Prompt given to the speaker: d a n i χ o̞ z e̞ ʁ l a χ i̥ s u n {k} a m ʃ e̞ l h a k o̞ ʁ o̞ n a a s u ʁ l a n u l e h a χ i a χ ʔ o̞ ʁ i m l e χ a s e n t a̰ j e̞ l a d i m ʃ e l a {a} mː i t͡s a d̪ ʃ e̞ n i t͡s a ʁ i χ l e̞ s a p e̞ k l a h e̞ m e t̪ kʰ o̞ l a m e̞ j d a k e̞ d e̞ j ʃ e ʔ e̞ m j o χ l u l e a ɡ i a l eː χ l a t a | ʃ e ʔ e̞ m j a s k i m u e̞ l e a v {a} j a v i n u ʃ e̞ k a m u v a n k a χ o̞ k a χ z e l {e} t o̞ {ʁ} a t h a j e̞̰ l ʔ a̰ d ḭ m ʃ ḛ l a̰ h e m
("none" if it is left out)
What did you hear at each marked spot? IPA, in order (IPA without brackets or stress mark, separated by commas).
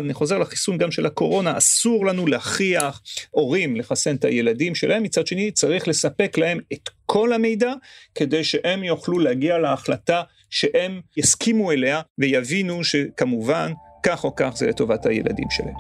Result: ɡ, e, e, e, v